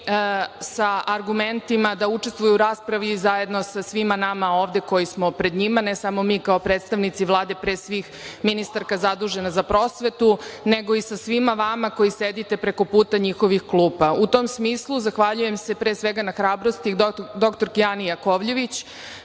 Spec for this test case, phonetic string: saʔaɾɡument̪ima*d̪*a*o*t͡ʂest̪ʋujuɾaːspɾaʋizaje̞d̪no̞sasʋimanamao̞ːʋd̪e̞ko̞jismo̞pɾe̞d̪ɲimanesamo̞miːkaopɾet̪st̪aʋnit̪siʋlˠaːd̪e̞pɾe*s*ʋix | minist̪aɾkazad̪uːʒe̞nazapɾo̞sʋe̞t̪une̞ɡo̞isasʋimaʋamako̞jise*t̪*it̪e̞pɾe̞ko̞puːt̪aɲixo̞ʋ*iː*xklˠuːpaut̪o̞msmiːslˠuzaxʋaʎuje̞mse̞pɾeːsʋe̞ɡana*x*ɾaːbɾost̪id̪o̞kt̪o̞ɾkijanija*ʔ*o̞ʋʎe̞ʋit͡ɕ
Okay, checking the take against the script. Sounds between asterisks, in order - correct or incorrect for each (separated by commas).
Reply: correct, incorrect, correct, incorrect, incorrect, correct, incorrect